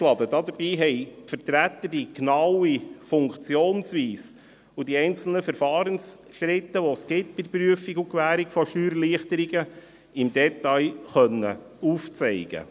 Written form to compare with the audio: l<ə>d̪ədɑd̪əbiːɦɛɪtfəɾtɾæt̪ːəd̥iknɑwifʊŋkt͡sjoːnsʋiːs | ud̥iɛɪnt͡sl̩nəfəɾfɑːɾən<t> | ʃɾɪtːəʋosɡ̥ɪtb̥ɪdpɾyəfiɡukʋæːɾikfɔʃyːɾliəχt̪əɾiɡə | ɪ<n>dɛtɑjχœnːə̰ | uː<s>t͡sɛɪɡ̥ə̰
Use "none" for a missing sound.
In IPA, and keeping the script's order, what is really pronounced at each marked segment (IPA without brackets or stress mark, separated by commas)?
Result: ɑ, s, m, f